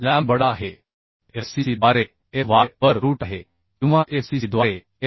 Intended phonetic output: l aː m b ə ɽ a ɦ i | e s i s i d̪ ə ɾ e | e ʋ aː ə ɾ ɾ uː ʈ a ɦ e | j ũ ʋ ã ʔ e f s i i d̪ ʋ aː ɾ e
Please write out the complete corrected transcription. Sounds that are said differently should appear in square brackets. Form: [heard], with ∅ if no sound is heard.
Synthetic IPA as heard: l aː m b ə ɽ a ɦ [e] | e s i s i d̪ [a] ɾ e | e ʋ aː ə ɾ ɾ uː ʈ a ɦ e | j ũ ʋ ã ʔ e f s i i d̪ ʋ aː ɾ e